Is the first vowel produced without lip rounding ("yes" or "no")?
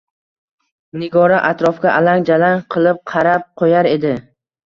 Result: yes